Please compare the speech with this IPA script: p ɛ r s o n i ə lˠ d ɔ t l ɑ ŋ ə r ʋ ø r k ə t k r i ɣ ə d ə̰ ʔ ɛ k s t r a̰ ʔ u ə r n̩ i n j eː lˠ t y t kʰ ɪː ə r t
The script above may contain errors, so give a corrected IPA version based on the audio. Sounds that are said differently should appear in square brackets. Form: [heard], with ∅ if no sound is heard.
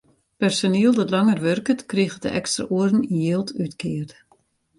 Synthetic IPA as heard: p ɛ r s o n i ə lˠ d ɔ t l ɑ ŋ ə r ʋ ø r k ə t k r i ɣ ə d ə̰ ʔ ɛ k s t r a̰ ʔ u ə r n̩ i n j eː lˠ t y t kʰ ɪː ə r t

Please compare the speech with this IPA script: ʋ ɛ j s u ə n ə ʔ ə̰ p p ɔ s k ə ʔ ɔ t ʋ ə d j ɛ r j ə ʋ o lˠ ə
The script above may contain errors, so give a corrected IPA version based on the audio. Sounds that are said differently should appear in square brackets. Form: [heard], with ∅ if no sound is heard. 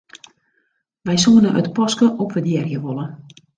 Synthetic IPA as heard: ʋ ɛ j s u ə n ə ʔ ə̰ [t] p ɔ s k ə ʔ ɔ [p] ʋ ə d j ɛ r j ə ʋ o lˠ ə

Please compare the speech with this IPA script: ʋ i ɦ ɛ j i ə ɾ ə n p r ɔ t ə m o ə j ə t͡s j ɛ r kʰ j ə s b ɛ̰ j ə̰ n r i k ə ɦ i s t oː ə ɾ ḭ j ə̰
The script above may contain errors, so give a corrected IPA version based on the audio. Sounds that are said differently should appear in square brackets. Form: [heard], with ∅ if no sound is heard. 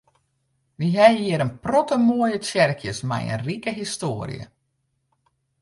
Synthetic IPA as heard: ʋ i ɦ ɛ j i ə ɾ ə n p r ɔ t ə m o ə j ə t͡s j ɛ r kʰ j ə s [m] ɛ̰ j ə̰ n r i k ə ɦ i s t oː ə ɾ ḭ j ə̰

